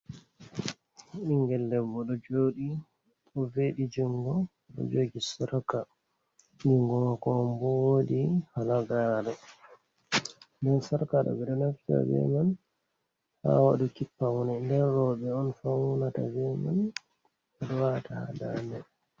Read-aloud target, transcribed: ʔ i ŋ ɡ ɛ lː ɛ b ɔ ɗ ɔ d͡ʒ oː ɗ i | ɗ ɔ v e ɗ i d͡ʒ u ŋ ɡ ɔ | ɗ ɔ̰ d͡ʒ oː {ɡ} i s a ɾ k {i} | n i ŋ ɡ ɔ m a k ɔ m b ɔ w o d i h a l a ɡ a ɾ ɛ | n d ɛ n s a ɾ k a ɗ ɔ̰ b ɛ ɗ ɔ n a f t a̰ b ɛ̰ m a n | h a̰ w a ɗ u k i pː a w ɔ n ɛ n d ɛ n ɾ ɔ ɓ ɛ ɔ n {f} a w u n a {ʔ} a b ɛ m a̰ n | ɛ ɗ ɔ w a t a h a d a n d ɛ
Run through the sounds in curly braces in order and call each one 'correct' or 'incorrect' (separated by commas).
correct, incorrect, correct, incorrect